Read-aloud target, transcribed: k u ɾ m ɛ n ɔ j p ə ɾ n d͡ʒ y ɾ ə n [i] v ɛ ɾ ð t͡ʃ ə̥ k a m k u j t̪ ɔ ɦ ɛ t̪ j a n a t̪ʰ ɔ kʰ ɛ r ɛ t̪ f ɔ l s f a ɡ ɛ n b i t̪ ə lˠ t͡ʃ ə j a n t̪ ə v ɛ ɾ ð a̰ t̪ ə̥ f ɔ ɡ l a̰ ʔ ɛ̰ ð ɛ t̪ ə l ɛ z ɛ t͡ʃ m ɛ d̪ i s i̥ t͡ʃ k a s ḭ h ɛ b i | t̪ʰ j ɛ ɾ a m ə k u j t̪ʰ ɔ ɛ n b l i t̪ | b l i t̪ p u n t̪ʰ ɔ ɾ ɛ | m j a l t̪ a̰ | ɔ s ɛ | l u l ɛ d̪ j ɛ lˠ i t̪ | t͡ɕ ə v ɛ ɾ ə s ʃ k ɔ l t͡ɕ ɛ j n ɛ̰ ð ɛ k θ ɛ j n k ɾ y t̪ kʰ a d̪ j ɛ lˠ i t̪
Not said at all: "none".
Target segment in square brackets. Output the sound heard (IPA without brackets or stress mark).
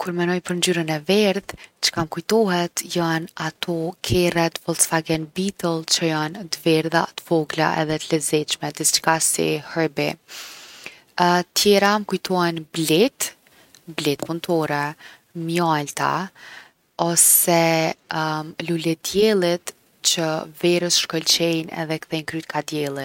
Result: ɛ